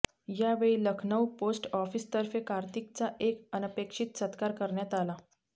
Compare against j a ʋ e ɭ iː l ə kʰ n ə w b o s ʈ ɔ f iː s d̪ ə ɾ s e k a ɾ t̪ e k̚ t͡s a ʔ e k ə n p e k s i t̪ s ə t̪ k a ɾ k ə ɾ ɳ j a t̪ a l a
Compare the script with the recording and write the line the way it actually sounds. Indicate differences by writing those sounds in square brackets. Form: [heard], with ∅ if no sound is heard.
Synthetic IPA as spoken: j a ʋ e ɭ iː l ə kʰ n ə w [p] o s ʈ ɔ f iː s [t̪] ə ɾ [f] e k a ɾ t̪ [i] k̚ t͡s a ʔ e k ə n p e k [ʂ] i t̪ s ə t̪ k a ɾ k ə ɾ ɳ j a t̪ a l a